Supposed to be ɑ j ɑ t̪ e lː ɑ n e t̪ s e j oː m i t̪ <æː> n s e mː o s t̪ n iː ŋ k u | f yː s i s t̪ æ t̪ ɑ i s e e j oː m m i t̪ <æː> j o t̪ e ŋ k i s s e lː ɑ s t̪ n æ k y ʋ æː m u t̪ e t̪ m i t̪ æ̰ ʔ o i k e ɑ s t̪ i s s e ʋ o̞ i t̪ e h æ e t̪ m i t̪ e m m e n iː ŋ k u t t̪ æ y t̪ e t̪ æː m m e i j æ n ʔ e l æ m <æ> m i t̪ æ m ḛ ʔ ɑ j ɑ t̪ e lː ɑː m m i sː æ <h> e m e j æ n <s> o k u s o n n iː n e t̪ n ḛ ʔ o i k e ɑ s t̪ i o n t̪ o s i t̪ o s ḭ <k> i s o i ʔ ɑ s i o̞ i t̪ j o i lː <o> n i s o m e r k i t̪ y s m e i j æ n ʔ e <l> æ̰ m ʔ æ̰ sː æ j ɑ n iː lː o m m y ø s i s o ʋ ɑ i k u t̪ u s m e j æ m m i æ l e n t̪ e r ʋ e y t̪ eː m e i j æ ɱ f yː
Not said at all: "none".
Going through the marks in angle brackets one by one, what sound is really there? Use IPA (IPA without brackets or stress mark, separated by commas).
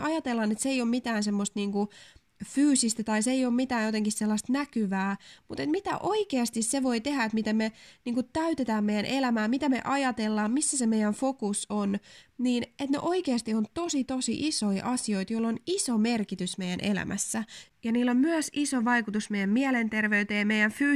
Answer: æː, æː, æː, s, f, ʔ, o, l